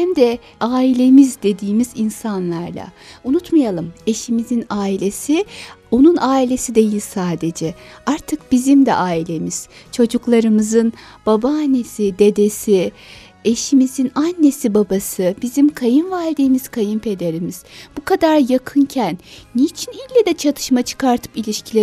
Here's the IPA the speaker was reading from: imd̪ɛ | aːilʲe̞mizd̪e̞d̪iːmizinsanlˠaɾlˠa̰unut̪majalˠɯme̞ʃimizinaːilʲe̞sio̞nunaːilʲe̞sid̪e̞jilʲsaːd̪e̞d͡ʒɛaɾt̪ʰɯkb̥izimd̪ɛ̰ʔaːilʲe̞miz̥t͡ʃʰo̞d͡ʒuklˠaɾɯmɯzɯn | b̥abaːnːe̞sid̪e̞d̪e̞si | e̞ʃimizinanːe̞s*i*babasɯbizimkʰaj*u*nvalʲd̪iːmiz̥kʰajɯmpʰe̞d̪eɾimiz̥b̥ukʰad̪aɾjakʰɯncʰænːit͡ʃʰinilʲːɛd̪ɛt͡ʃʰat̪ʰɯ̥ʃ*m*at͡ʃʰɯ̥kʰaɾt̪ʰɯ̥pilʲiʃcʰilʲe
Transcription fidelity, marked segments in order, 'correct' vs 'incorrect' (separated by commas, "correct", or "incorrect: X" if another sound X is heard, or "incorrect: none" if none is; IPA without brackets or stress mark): correct, incorrect: ɯ, correct